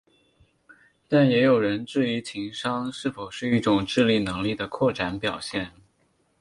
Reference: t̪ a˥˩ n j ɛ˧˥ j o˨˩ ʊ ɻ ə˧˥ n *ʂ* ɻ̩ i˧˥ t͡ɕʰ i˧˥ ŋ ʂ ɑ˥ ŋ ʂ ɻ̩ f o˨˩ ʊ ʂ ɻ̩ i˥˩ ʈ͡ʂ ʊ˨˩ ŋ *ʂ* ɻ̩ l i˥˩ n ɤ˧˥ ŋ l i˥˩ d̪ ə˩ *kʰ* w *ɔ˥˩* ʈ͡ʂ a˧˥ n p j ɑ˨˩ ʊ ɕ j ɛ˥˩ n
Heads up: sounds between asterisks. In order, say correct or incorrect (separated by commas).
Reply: incorrect, incorrect, correct, correct